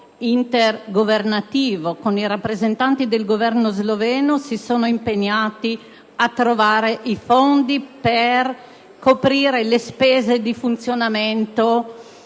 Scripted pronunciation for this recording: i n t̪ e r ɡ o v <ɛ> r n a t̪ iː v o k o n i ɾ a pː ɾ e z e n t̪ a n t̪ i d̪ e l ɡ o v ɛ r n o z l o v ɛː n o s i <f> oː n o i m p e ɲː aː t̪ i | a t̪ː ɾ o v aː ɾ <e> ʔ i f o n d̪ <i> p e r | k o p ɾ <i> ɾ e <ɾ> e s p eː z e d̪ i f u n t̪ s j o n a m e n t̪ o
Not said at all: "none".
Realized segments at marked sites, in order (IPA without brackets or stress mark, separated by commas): e, s, e, i, iː, l